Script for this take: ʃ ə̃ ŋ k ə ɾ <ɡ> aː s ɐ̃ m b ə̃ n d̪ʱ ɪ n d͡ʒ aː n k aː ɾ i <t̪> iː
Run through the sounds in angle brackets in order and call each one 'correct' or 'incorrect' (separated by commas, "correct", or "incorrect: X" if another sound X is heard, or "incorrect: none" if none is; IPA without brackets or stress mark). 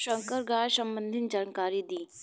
correct, incorrect: d̪